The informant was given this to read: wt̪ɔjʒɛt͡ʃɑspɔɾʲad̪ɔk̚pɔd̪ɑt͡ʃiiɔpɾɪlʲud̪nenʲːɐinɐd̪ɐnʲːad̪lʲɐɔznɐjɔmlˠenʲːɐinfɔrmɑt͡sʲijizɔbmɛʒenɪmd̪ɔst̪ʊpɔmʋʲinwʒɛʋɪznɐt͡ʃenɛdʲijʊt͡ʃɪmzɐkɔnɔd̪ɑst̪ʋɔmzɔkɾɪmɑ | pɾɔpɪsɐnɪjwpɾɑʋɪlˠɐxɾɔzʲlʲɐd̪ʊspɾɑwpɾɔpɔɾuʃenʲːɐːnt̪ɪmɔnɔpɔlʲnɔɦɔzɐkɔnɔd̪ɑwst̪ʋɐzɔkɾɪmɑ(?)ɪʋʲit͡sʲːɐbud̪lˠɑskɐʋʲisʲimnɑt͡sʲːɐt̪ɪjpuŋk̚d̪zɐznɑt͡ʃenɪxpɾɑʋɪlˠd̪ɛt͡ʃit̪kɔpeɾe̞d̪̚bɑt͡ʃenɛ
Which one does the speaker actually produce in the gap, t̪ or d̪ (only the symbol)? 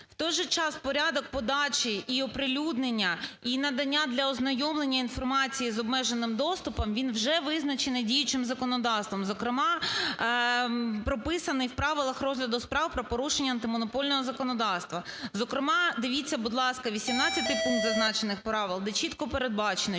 d̪